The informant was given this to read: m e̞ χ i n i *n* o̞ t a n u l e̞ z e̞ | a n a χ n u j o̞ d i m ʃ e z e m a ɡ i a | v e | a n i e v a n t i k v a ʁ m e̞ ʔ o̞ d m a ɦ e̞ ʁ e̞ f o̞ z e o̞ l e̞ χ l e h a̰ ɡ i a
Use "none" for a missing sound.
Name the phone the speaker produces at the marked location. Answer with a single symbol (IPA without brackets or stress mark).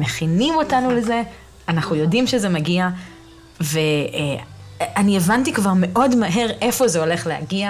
m